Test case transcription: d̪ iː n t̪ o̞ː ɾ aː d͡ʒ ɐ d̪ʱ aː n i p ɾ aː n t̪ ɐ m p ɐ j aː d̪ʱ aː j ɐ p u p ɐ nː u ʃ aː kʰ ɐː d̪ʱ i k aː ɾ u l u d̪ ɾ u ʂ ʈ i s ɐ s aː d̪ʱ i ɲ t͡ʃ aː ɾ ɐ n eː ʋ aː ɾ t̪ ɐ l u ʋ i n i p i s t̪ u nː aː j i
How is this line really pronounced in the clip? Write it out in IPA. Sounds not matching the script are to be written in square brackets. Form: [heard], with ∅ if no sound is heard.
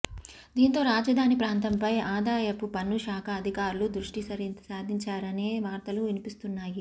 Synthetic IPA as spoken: d̪ iː n t̪ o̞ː ɾ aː d͡ʒ ɐ d̪ʱ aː n i p ɾ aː n t̪ ɐ m p ɐ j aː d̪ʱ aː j ɐ p u p ɐ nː u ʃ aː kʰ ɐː d̪ʱ i k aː ɾ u l u d̪ ɾ u ʂ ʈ i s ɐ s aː d̪ʱ i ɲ t͡ʃ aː ɾ ɐ n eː ʋ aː ɾ t̪ ɐ l u ʋ i n i p i s t̪ u nː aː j i